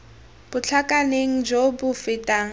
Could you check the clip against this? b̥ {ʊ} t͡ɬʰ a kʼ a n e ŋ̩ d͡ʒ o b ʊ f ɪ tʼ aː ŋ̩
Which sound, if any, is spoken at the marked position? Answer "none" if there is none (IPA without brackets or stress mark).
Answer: ʊ